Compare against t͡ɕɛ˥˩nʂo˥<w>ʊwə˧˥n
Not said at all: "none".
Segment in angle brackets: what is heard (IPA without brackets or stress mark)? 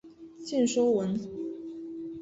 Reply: none